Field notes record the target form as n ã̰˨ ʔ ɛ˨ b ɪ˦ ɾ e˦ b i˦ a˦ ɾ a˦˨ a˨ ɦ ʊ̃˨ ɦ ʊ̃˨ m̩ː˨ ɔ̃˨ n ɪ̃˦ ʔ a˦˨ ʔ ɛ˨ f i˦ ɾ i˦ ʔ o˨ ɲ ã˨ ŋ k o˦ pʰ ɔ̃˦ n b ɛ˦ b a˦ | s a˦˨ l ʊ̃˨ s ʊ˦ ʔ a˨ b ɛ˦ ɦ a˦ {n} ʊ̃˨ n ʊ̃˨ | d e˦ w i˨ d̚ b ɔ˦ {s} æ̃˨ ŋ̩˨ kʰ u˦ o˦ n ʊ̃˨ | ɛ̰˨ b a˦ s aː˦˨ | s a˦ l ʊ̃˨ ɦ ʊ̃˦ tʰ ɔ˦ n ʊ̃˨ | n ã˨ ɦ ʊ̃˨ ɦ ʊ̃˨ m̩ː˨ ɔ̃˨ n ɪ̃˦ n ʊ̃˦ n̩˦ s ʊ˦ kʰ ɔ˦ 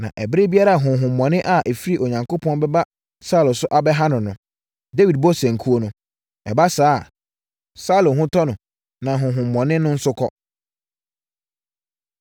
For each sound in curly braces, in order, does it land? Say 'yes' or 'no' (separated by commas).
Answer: yes, yes